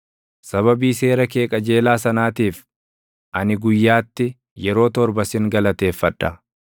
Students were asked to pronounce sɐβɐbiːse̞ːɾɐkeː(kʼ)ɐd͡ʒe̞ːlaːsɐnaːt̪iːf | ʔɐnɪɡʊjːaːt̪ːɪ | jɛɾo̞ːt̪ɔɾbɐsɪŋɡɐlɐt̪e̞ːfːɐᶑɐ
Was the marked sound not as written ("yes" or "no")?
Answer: no